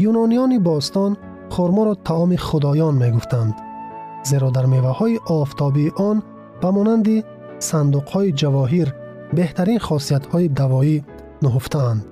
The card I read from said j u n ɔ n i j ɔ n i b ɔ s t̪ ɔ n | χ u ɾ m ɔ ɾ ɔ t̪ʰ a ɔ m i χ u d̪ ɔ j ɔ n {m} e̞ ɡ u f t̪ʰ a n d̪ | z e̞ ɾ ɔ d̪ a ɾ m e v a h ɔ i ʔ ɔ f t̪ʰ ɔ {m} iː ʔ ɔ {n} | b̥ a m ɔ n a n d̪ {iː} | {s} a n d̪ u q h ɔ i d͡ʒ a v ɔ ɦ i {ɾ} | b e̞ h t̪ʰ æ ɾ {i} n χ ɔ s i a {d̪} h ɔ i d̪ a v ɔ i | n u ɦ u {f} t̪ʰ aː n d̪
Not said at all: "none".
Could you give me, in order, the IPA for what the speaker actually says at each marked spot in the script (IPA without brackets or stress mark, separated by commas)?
m, b, n, i, s, ɾ, i, t̪, f